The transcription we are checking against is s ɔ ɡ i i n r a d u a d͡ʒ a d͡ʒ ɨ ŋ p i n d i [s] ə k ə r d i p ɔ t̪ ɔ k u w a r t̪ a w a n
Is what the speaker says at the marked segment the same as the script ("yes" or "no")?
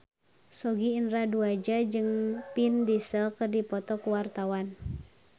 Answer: yes